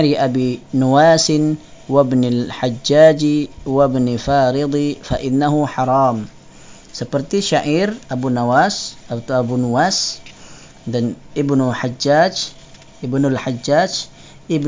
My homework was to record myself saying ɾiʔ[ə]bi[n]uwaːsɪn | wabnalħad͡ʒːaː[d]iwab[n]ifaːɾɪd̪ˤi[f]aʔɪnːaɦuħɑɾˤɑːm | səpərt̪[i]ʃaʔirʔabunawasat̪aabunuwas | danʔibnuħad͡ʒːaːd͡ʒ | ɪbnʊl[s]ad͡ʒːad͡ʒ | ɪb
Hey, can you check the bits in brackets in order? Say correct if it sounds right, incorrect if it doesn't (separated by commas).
incorrect, correct, incorrect, correct, correct, correct, incorrect